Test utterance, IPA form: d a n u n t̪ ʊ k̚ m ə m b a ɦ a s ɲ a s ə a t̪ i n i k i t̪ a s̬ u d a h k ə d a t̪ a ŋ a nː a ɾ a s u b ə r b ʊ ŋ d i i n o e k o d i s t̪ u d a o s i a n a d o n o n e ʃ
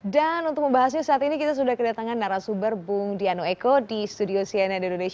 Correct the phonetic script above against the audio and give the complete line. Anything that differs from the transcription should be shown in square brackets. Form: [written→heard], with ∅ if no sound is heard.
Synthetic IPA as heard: d a n u n t̪ ʊ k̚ m ə m b a ɦ a s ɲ a s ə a t̪ i n i k i t̪ a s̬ u d a h k ə d a t̪ a ŋ a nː a ɾ a s u b ə r b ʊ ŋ d i [i→a] n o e k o d i s t̪ u d [a→i] o s i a n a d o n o n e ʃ